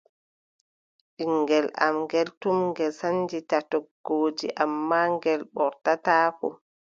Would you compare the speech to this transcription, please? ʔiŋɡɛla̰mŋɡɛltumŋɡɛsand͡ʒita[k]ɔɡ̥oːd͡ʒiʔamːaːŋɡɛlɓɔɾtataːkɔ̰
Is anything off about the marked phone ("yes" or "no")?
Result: yes